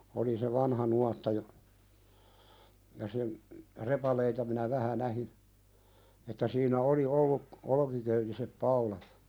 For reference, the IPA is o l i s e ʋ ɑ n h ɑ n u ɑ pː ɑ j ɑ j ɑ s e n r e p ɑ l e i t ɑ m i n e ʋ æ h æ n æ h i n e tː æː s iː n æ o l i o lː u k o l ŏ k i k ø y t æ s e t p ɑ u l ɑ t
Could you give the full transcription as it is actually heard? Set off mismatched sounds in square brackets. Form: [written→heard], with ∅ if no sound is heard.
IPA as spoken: o l i s e ʋ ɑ n h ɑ n u ɑ [pː→tː] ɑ j ɑ j ɑ s e n r e p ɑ l e i t ɑ m i n [e→æ] ʋ æ h æ n æ h i n e tː [æː→æ] s iː n æ o l i o lː u k o l ŏ k i k ø y t [æ→i] s e [t→p] p ɑ u l ɑ t